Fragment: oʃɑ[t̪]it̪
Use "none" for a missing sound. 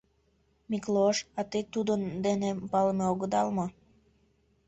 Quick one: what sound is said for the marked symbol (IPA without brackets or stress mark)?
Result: t̪